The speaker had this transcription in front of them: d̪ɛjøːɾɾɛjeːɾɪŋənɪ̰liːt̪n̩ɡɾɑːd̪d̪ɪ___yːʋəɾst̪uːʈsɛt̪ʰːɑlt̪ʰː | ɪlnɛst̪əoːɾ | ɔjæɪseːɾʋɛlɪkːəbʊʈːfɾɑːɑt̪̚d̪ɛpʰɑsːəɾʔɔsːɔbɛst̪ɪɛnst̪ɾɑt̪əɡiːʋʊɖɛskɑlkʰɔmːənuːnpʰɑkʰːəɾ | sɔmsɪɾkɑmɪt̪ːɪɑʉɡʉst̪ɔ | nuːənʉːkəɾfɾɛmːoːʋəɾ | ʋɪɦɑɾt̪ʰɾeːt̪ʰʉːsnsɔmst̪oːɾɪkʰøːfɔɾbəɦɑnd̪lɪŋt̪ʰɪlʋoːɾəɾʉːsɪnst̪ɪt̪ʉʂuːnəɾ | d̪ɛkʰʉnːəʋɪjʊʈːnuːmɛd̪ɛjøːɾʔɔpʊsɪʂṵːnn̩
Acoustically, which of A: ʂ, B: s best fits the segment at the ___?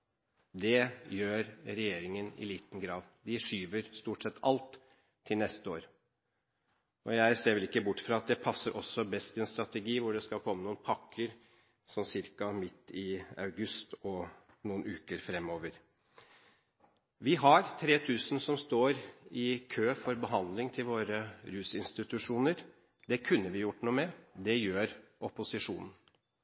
A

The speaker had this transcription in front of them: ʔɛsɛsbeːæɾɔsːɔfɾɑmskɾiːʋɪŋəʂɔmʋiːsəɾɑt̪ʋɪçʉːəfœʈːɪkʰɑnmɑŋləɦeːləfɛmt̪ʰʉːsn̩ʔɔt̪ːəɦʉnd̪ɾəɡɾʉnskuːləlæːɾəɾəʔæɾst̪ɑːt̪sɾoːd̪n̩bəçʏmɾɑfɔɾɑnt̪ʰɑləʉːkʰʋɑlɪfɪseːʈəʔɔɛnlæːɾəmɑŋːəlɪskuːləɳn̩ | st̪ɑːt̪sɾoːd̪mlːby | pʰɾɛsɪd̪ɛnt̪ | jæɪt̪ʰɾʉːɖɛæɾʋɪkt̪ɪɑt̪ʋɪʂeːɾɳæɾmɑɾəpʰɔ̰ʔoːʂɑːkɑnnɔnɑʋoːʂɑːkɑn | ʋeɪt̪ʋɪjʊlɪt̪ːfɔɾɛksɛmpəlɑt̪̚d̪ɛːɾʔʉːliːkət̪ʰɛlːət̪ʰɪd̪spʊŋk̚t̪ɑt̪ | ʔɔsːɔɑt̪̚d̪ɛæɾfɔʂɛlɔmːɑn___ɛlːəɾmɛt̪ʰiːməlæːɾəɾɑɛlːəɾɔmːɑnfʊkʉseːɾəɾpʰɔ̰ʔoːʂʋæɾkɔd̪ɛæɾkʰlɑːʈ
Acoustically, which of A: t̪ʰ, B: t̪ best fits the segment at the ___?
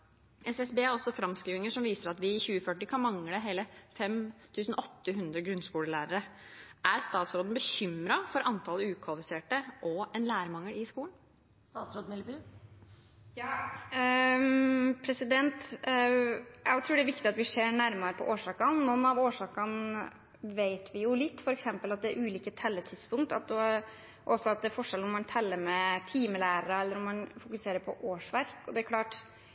A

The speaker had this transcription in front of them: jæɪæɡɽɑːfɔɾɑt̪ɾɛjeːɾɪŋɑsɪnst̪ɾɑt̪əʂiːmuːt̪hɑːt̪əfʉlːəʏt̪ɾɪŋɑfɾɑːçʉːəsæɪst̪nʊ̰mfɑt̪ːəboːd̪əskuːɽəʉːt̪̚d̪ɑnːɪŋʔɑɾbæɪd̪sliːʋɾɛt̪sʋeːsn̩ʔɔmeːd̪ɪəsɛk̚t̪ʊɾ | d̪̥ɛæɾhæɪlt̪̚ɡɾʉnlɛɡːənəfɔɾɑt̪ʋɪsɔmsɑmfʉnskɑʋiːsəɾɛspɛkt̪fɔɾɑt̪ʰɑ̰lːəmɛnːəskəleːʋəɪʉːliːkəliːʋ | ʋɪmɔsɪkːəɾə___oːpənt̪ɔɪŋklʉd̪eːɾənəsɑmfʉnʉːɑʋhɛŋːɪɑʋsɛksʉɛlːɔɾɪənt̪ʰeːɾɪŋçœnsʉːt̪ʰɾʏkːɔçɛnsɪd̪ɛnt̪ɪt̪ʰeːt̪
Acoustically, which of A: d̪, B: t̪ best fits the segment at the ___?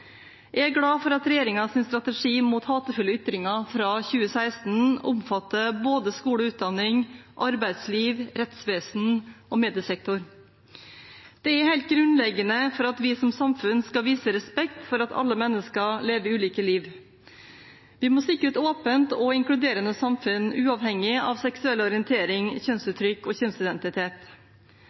B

